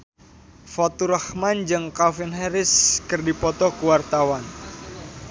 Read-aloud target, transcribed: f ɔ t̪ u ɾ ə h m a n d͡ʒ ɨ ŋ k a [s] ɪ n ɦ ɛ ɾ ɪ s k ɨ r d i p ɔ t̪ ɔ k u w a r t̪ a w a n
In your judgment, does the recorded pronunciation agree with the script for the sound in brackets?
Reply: no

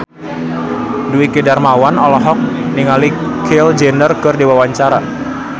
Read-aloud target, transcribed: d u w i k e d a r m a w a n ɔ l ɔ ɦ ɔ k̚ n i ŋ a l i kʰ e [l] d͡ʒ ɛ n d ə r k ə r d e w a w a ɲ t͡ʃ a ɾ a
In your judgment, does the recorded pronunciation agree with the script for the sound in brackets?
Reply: yes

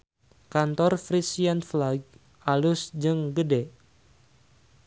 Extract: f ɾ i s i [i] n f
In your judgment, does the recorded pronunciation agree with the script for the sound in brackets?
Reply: no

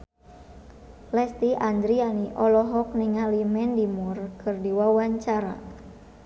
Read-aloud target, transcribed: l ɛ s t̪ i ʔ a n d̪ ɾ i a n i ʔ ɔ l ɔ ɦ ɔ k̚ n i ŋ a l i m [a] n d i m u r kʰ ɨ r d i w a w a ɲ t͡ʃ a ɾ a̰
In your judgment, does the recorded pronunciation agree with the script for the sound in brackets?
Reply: no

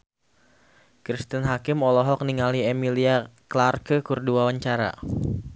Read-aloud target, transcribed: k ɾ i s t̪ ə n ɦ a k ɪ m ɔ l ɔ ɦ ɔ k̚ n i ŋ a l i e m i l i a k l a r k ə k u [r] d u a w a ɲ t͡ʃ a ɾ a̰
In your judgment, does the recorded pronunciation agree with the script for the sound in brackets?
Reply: yes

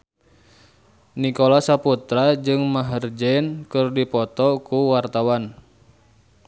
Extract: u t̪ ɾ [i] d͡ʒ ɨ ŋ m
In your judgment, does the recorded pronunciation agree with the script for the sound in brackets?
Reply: no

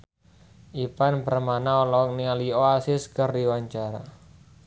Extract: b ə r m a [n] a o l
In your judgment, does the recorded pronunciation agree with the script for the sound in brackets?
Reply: yes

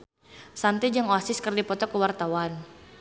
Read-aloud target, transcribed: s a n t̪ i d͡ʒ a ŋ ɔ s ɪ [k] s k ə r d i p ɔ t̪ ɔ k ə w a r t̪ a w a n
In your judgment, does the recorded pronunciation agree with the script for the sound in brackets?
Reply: no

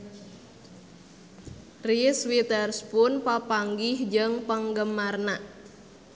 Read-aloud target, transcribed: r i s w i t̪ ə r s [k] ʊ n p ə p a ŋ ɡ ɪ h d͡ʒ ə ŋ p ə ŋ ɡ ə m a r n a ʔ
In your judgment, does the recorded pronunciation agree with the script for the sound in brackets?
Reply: no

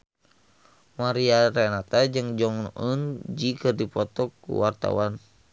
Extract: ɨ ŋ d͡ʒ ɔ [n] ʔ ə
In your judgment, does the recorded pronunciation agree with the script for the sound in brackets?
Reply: no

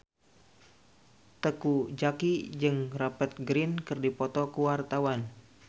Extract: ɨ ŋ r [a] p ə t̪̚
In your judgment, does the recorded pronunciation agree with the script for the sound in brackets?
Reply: yes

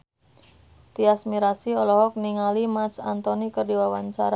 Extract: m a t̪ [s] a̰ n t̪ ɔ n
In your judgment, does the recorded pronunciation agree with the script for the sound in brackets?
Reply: yes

